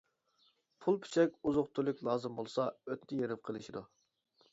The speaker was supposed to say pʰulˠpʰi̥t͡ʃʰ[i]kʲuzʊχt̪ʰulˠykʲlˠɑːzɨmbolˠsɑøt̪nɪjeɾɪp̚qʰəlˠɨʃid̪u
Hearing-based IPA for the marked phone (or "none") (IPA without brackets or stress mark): ɛ